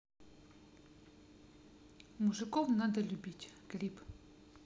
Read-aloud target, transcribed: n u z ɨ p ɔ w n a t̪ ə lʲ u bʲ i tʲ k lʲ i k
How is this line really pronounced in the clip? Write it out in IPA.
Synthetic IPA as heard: m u ʐ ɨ k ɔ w n a d̪ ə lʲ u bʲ i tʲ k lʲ i p